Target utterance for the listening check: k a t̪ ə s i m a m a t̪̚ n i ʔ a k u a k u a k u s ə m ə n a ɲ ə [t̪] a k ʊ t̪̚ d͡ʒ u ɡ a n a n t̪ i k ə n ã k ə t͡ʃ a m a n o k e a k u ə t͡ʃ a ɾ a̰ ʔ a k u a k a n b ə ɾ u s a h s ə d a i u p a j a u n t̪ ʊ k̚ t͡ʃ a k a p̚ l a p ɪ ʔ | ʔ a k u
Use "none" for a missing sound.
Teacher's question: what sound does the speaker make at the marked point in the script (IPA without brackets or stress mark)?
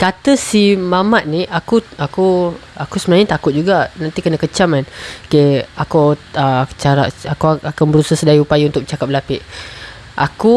t̪